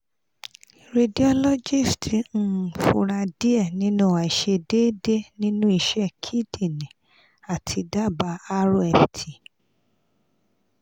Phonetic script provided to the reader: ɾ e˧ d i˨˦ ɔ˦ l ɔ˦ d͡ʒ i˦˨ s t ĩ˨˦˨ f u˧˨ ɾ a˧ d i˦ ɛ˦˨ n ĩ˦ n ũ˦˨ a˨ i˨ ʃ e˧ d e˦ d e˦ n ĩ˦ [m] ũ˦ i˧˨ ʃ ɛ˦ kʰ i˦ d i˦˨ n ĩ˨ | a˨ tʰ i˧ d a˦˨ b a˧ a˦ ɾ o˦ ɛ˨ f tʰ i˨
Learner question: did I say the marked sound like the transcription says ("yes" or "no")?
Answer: no